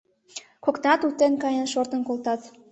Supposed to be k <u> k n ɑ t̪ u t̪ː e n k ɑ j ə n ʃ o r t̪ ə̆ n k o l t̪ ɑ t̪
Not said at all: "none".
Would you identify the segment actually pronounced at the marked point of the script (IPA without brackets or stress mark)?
o